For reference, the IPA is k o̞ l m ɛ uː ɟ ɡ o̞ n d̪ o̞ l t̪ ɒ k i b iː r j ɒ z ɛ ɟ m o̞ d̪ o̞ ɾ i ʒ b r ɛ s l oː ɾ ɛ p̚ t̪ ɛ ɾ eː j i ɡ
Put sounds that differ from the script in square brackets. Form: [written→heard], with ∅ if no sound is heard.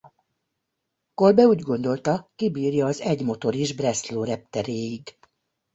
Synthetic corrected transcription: k o̞ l [m→b] ɛ uː ɟ ɡ o̞ n d̪ o̞ l t̪ ɒ k i b iː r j [ɒ→ɒː] z ɛ ɟ m o̞ [d̪→t̪] o̞ ɾ i ʒ b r ɛ s l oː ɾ ɛ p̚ t̪ ɛ ɾ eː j i ɡ